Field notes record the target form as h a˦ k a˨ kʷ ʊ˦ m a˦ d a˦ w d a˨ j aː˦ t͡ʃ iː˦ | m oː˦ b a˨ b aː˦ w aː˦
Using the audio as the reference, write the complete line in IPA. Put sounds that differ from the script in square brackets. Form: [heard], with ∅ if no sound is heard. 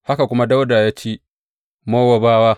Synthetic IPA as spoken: h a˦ k a˨ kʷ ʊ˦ m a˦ d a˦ w d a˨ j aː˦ t͡ʃ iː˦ | m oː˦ [w] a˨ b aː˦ w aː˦